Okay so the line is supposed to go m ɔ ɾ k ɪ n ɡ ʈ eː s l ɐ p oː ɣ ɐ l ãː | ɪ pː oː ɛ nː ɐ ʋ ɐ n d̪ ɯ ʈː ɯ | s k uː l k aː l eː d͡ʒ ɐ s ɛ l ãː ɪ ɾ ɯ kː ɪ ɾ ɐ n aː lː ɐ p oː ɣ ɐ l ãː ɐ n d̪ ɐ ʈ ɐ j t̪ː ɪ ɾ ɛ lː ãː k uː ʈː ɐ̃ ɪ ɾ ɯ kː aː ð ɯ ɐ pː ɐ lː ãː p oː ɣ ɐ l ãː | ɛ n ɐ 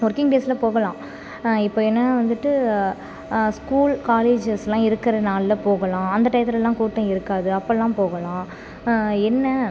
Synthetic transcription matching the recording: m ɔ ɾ k ɪ ŋ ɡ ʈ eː s l ɐ p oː ɣ ɐ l ãː | ɪ pː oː ɛ nː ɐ ʋ ɐ n d̪ ɯ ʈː ɯ | s k uː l k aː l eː d͡ʒ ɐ s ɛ l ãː ɪ ɾ ɯ kː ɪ ɾ ɐ n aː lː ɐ p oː ɣ ɐ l ãː ɐ n d̪ ɐ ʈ ɐ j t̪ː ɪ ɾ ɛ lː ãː k uː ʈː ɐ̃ ɪ ɾ ɯ kː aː ð ɯ ɐ pː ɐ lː ãː p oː ɣ ɐ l ãː | ɛ nː ɐ